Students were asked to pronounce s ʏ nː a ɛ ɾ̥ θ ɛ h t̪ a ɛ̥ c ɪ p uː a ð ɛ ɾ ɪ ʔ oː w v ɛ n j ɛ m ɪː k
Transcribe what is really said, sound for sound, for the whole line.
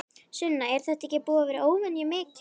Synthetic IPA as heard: s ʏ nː a ɛ ɾ̥ θ ɛ h t̪ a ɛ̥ c ɪ p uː a v ɛ ɾ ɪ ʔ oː w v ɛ n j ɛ m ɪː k